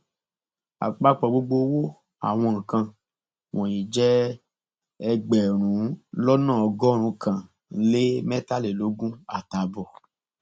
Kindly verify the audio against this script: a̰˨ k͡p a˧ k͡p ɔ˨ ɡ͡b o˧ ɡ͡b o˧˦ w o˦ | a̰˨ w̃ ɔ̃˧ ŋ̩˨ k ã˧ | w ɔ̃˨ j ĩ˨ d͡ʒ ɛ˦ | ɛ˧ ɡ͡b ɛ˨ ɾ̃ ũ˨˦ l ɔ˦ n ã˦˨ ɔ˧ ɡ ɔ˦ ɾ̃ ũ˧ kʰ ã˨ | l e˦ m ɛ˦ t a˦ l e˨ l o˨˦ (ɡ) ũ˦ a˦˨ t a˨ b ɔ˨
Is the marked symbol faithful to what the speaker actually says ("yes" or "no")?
yes